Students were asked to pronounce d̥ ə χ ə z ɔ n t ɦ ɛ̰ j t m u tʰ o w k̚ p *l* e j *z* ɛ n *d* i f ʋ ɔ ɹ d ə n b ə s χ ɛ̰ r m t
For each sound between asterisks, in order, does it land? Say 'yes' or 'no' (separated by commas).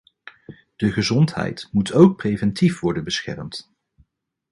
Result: no, no, no